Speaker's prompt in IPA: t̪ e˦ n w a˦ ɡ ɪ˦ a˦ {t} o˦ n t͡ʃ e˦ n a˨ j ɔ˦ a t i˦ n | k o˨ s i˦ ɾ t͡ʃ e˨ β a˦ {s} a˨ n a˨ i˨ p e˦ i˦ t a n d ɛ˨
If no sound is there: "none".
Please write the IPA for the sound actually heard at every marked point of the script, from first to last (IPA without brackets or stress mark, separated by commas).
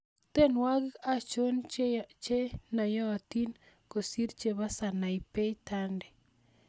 t͡ʃ, s